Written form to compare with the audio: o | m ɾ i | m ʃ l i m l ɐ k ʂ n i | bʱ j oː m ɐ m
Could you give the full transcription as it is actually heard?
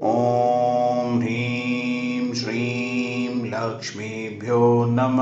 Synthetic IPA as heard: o | m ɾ i | m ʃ ɾ i m l ɐ k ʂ m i | bʱ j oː n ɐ m